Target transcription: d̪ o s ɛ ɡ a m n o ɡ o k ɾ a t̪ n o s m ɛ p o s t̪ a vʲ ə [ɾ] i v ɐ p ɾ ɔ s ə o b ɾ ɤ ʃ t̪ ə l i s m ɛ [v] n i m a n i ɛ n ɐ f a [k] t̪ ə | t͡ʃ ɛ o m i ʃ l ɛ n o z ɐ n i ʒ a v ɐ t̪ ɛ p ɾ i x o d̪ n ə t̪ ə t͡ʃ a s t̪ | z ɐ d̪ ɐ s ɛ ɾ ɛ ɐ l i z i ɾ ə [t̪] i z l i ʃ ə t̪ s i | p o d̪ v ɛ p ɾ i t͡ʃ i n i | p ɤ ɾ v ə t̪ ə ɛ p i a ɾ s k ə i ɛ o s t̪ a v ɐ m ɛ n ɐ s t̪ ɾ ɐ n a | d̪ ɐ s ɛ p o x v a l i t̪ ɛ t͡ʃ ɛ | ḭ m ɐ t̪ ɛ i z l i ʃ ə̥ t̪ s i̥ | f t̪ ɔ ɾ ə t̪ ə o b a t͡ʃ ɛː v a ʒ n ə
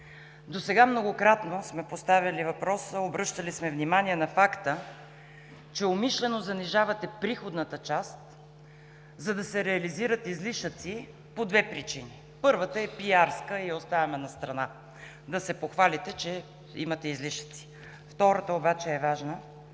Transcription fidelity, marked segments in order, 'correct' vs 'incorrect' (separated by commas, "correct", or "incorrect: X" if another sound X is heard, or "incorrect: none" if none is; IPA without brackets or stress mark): incorrect: l, correct, correct, correct